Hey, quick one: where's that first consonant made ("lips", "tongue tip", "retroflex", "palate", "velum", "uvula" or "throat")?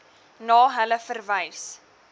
tongue tip